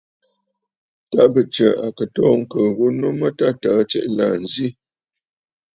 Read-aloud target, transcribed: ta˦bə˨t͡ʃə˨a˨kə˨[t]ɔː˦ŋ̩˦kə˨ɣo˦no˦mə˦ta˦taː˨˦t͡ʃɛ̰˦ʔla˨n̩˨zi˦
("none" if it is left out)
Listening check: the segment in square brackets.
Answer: t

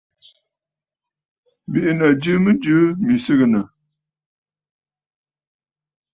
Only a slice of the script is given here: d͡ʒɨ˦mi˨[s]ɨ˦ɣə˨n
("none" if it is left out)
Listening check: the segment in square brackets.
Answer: s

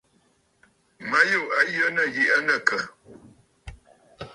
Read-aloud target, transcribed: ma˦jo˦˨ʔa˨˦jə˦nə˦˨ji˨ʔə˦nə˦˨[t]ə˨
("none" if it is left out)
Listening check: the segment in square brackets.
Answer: k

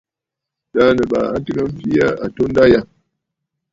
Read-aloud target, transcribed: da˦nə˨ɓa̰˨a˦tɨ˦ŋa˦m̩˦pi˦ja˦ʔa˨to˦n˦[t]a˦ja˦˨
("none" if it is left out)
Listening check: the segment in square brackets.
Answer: d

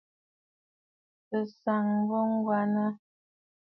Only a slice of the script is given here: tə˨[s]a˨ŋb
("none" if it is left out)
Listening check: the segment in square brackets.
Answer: s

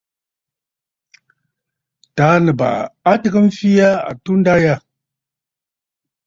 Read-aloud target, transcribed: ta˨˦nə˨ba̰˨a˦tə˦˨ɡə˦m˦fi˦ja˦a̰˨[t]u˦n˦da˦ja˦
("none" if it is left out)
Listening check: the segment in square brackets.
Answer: t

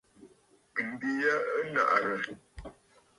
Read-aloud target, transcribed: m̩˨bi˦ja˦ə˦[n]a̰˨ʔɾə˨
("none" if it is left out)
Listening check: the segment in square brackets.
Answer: n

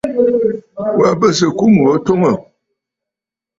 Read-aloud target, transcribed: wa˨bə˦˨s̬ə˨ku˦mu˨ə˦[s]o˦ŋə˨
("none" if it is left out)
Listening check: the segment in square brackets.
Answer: t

